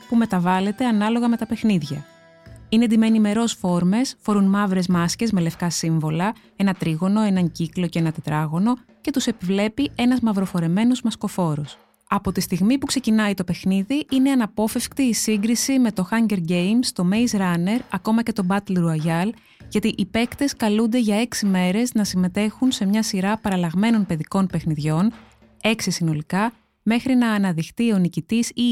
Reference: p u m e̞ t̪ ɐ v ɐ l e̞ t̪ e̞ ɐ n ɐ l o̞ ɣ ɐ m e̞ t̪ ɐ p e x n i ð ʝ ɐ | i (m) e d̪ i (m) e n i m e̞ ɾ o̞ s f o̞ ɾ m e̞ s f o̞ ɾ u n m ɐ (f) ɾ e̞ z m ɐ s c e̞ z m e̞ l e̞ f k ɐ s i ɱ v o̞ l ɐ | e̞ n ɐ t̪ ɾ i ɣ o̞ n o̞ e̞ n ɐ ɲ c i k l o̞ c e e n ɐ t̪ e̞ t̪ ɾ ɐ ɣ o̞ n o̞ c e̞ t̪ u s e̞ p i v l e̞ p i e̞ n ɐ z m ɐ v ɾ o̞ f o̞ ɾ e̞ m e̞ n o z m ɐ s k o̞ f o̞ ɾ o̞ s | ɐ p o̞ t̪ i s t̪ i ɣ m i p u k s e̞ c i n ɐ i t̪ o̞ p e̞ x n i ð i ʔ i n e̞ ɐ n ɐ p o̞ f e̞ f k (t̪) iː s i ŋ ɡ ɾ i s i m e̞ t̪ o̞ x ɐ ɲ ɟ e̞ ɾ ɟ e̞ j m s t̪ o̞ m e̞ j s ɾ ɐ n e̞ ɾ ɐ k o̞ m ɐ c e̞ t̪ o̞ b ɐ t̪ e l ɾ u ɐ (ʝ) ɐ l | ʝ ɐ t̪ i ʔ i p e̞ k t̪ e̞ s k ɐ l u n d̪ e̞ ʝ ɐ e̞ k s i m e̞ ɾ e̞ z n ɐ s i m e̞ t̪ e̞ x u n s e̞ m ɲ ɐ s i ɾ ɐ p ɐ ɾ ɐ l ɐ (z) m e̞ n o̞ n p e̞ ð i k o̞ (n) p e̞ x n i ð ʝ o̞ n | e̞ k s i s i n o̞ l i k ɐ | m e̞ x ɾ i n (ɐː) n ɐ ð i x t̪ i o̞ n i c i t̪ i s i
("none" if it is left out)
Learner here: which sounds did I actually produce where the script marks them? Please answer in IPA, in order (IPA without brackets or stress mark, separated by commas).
n, m, v, t̪, ʝ, ɣ, n, ɐː